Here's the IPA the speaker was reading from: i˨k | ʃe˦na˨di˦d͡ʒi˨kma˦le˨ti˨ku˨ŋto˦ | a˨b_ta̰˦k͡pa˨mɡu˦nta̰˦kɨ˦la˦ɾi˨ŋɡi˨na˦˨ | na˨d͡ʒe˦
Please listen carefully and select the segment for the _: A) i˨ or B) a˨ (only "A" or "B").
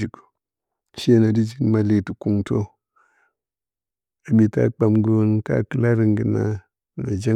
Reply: A